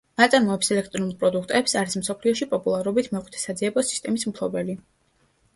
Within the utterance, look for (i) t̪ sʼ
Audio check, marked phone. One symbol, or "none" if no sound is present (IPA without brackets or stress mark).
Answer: a